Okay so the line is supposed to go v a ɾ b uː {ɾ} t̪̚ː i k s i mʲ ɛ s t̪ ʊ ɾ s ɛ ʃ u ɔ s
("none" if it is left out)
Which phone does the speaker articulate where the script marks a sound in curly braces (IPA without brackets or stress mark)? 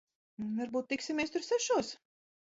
none